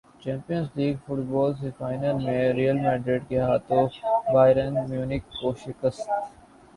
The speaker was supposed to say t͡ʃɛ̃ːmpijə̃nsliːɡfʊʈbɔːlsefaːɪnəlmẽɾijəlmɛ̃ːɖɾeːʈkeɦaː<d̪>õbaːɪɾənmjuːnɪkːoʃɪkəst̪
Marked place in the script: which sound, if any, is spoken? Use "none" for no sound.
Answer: t̪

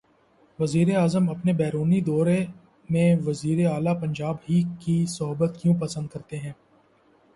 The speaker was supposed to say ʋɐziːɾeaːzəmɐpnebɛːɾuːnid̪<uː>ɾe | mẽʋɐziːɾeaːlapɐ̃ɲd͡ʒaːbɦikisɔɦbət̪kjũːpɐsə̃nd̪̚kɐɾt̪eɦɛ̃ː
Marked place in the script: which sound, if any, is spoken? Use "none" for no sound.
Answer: ɔː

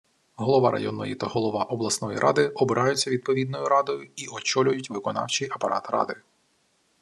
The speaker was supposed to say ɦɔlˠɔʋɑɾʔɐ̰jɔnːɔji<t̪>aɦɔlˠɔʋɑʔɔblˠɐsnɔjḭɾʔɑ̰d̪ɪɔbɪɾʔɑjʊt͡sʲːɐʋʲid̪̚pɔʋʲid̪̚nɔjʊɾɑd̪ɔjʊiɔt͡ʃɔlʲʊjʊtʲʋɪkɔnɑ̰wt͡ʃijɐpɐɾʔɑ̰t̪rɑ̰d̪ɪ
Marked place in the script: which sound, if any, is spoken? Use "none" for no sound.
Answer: t̪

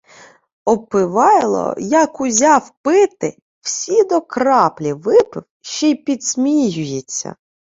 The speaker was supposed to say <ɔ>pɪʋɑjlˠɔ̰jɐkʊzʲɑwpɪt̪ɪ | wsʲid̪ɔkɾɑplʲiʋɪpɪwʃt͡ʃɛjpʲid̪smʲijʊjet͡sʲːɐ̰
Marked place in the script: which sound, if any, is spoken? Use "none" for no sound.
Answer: ɔ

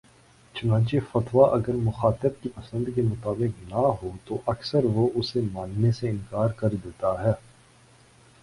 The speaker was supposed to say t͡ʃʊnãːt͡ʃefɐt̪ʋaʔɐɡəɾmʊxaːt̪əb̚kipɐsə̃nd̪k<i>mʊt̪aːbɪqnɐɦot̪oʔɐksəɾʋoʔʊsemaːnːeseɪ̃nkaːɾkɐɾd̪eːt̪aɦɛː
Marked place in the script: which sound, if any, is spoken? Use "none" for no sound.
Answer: e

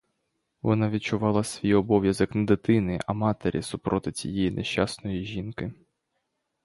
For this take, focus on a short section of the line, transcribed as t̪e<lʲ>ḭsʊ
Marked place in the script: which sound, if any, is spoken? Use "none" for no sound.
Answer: ɾʲ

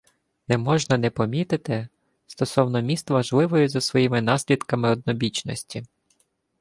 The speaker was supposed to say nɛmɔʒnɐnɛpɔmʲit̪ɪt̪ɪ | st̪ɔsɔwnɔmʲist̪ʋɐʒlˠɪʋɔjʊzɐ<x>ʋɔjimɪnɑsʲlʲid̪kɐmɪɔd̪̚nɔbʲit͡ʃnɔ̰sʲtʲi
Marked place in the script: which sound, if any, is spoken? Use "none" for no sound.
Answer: s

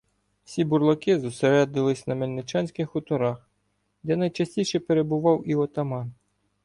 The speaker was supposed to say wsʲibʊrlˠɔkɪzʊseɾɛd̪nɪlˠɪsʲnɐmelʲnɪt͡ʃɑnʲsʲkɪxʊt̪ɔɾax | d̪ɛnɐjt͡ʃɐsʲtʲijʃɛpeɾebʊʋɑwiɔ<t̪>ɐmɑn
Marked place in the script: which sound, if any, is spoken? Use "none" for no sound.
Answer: t̪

